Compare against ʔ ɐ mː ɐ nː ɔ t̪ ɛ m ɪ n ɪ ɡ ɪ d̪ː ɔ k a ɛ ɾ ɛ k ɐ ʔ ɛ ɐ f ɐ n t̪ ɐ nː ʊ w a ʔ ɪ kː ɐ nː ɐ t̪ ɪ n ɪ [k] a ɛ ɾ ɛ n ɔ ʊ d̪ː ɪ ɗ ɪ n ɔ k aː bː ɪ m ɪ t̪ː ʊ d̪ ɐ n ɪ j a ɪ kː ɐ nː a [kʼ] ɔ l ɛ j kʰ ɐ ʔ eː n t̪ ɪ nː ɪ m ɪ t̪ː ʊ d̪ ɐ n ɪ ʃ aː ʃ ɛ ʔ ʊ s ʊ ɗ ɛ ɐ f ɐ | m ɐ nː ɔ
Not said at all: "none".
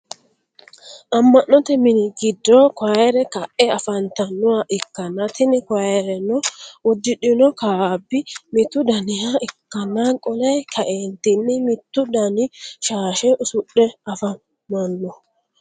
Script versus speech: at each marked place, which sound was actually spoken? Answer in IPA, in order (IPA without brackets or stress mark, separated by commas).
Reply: k, kʼ